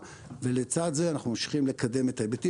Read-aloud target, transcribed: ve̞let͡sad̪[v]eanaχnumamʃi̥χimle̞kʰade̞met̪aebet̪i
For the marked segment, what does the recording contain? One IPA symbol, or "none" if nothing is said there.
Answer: z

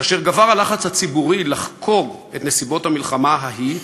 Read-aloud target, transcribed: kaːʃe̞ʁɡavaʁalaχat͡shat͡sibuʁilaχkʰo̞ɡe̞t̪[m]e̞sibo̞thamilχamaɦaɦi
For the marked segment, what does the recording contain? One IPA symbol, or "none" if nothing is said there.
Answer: n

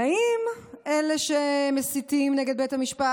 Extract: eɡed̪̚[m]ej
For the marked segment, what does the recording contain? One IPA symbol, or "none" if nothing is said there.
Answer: b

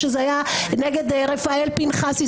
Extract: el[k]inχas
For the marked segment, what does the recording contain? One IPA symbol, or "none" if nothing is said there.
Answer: p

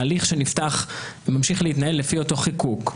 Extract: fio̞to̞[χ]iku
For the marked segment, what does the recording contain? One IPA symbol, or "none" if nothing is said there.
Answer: χ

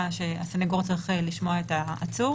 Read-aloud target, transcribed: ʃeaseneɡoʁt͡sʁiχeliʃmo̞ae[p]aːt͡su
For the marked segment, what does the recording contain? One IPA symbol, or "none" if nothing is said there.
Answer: t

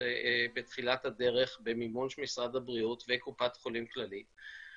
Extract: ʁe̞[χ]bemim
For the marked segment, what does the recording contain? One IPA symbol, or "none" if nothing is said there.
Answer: χ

